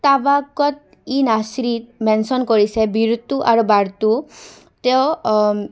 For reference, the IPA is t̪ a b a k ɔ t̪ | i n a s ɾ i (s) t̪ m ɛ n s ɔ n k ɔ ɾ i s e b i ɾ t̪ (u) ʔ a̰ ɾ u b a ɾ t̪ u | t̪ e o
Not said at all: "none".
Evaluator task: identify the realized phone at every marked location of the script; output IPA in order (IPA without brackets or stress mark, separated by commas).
none, u